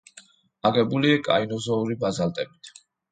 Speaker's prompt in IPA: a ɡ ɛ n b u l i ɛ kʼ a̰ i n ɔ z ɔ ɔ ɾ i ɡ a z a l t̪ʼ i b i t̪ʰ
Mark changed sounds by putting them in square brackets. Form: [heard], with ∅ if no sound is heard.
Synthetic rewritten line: a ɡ ɛ [∅] b u l i [a] kʼ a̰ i n ɔ z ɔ [u] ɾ i [b] a z a l t̪ʼ [ɛ] b i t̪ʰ